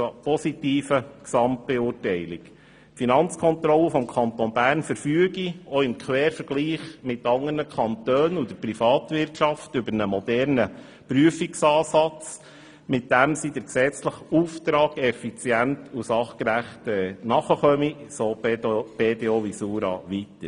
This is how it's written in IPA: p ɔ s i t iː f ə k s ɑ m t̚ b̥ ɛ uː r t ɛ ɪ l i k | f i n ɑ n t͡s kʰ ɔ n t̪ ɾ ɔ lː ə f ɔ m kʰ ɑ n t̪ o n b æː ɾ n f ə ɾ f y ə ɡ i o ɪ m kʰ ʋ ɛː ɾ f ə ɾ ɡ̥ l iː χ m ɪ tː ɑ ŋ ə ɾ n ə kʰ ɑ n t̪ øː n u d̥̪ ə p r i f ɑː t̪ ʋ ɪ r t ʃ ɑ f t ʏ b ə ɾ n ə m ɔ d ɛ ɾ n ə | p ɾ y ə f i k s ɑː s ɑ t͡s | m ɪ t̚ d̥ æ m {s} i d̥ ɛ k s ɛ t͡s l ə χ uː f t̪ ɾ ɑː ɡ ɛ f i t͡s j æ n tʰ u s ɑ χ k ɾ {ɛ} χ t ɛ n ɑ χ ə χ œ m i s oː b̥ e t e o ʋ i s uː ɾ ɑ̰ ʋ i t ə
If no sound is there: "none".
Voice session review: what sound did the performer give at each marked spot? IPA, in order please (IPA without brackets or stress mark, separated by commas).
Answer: s, æ